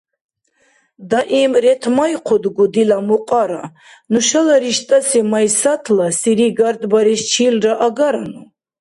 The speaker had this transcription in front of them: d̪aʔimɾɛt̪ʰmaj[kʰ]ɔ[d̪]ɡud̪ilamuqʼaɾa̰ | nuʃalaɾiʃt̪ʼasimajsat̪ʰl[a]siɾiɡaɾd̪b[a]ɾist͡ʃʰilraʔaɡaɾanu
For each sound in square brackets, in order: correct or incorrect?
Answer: incorrect, correct, correct, correct

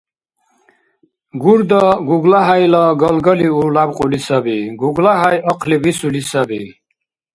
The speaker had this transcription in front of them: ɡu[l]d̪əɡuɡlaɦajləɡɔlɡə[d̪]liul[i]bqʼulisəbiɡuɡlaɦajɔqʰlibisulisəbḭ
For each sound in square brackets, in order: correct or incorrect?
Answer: incorrect, incorrect, incorrect

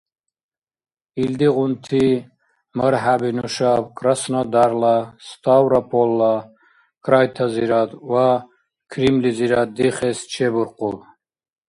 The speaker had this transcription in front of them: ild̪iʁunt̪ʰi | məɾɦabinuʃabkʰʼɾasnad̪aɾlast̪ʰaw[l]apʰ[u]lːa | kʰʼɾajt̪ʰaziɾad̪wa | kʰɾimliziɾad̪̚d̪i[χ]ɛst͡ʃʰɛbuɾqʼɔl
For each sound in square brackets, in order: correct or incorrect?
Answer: incorrect, incorrect, correct

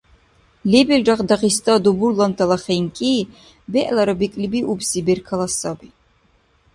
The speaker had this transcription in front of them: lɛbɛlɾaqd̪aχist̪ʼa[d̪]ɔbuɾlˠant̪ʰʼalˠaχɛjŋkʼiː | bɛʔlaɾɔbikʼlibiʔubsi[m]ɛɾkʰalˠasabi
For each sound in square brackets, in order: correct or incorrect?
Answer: correct, incorrect

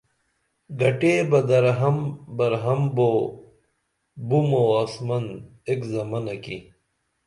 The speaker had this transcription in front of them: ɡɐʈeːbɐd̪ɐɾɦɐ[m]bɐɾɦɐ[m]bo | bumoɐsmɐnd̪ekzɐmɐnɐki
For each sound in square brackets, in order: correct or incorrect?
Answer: correct, correct

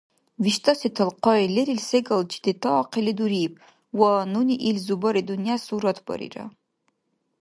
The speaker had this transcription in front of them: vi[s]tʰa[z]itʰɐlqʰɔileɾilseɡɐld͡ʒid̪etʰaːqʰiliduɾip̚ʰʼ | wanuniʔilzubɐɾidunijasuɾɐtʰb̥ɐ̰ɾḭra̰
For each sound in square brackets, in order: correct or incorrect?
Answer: incorrect, incorrect

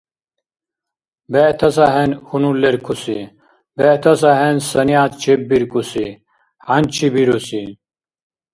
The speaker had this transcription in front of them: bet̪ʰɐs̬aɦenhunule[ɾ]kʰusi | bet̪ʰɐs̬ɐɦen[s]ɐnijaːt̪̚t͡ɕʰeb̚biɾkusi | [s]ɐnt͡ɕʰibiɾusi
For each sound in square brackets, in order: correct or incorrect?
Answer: correct, correct, incorrect

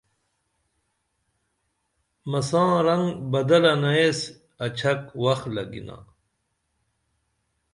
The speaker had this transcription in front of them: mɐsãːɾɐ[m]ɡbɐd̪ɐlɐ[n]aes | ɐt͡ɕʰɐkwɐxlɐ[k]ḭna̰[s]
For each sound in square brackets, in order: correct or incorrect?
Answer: incorrect, correct, incorrect, incorrect

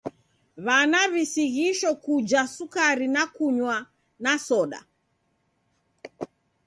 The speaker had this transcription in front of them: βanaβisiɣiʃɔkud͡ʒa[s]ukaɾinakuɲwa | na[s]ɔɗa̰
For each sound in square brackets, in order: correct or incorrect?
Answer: correct, correct

